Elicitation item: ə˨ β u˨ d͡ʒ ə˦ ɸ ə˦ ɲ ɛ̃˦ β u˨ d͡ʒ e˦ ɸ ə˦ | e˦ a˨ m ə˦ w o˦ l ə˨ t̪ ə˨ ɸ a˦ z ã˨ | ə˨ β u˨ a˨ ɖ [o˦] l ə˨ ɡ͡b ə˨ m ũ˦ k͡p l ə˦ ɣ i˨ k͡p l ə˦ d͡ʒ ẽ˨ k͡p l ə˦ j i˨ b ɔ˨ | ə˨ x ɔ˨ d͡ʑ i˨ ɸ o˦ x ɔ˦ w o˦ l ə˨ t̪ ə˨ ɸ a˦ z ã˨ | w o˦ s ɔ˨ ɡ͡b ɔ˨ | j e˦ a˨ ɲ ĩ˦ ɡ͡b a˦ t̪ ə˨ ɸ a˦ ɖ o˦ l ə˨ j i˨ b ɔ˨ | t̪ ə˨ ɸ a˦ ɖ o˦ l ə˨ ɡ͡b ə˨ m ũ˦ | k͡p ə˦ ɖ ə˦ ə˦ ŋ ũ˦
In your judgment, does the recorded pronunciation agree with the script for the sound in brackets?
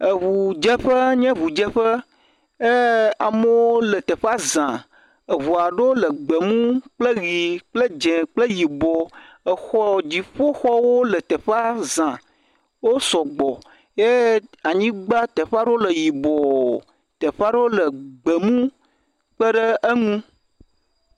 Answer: yes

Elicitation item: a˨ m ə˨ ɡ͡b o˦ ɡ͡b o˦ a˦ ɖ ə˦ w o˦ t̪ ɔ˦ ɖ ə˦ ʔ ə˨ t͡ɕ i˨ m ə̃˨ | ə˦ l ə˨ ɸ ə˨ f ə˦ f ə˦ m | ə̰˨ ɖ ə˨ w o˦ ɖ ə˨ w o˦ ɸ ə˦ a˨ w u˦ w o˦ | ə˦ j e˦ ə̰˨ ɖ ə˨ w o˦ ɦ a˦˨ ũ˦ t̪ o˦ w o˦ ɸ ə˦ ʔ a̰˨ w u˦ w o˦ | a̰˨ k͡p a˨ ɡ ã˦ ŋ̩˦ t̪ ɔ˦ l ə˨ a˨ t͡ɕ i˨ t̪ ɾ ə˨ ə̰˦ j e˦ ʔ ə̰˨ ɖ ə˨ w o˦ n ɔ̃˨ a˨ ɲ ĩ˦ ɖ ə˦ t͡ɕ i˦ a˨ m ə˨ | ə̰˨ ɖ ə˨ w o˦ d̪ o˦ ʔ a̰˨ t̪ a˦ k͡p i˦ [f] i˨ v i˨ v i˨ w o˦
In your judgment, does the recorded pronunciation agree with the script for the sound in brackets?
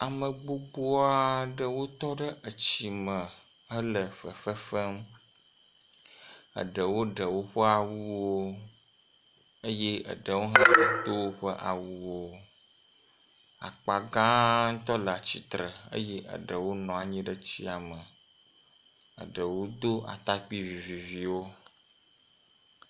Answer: no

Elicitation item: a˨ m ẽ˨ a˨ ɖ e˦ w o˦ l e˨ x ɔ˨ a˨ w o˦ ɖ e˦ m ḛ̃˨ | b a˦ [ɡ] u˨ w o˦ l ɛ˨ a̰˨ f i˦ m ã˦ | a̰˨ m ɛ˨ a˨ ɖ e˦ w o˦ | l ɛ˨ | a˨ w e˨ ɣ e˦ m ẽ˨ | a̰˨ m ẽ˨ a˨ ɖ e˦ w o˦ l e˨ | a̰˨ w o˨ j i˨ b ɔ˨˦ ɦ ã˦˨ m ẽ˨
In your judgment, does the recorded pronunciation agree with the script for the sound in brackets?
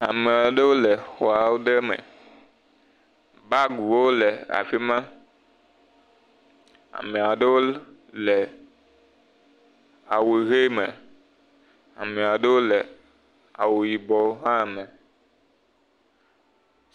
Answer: yes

